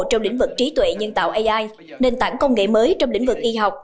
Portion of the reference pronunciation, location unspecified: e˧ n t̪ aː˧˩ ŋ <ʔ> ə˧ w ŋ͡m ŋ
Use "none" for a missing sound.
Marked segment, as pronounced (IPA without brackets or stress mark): k